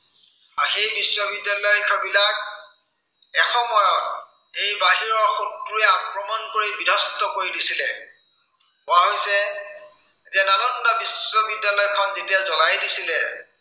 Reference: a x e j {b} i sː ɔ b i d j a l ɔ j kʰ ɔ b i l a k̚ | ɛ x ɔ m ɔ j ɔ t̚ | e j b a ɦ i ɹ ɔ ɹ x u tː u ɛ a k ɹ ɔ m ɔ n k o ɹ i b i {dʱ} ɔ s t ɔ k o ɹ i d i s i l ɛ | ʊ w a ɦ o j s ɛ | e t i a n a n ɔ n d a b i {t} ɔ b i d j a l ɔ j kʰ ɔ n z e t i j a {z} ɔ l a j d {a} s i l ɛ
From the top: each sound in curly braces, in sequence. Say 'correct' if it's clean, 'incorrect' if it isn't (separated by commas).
correct, correct, incorrect, correct, incorrect